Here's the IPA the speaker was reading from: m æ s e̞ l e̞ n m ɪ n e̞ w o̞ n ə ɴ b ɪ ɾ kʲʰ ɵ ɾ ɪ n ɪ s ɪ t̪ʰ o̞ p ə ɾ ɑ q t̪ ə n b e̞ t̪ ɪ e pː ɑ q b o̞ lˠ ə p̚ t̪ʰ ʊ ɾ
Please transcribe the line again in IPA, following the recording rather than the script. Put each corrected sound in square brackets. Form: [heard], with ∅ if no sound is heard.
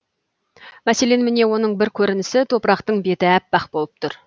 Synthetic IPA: m æ s e̞ l e̞ n m ɪ n e̞ w o̞ n ə ɴ b ɪ ɾ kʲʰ ɵ ɾ ɪ n ɪ s ɪ t̪ʰ o̞ p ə ɾ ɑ q t̪ ə [ɴ] b e̞ t̪ ɪ [æ] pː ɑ q b o̞ lˠ ə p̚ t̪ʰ ʊ ɾ